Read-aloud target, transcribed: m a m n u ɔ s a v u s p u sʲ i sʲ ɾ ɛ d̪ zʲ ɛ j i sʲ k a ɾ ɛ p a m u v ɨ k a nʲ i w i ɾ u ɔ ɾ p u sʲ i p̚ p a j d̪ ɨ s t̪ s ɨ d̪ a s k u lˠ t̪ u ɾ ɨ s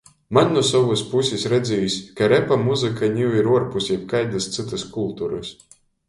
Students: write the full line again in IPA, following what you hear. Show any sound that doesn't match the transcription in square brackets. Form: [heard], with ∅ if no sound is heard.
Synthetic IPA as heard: m a [n] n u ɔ s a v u s p u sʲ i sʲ ɾ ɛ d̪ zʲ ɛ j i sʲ k a ɾ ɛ p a m u [z] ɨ k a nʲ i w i ɾ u ɔ ɾ p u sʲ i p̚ [k] a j d̪ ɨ s t̪ s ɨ [t̪] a s k u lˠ t̪ u ɾ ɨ s